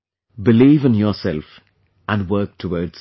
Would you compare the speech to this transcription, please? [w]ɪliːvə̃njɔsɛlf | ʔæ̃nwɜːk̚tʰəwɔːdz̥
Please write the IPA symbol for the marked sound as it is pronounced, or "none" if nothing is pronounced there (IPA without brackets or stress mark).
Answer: b